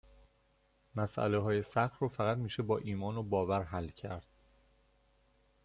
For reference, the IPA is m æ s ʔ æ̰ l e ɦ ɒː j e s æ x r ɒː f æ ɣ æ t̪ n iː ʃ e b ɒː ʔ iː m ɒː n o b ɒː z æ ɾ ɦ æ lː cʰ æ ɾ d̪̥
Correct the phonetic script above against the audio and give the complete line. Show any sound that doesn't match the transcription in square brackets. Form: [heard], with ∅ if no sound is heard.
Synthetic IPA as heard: m æ s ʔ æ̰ l e ɦ ɒː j e s æ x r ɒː f æ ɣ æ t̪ [m] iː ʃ e b ɒː ʔ iː m ɒː n o b ɒː [v] æ ɾ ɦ æ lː cʰ æ ɾ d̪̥